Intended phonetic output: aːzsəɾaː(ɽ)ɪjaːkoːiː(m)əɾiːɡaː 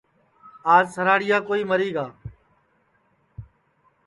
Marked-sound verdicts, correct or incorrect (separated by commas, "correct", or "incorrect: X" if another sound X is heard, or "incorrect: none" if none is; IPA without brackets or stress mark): correct, correct